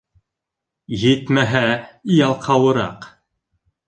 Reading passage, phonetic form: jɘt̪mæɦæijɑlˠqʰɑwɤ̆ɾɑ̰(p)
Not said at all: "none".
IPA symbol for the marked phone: q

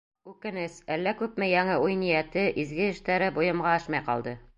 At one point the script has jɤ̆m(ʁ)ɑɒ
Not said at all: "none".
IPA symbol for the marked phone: ʁ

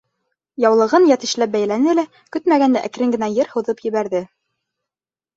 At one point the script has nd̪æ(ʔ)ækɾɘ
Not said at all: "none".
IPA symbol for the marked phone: ʔ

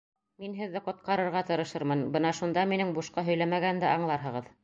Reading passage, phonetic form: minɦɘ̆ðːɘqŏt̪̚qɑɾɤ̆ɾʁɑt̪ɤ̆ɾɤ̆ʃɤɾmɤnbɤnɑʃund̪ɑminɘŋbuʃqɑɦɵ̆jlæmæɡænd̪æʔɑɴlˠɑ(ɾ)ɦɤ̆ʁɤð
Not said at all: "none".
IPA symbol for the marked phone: ɾ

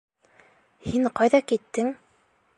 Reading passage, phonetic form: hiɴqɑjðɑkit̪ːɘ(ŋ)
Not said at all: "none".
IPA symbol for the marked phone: ŋ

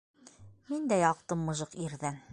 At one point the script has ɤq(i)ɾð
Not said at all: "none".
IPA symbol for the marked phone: i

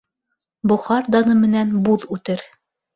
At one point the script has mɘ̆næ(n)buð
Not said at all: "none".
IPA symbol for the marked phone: n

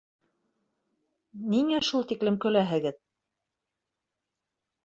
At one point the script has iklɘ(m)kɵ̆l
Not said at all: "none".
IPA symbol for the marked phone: m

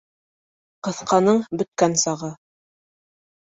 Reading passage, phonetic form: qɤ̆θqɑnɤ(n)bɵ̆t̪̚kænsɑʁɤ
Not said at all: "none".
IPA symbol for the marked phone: ɴ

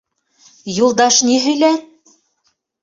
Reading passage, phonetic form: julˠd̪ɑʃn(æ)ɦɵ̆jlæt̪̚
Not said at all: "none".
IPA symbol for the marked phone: i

